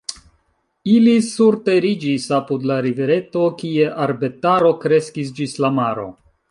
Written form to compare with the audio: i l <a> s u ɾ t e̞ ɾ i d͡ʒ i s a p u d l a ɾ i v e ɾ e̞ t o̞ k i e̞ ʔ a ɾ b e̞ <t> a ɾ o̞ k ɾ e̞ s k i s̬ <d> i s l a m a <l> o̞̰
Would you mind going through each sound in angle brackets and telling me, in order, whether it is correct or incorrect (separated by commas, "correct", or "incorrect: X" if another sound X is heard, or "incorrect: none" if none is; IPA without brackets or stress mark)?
incorrect: i, correct, incorrect: d͡ʒ, incorrect: ɾ